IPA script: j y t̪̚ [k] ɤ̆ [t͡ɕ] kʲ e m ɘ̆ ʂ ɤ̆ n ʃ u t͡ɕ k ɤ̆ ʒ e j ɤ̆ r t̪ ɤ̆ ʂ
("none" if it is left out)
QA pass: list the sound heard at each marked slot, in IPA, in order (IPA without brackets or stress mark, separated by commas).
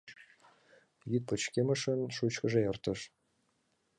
p, t͡ɕ